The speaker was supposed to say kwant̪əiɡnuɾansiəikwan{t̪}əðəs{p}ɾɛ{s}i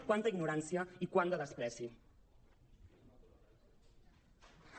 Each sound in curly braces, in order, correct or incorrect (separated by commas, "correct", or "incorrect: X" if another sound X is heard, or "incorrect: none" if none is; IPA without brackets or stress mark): incorrect: d̪, correct, correct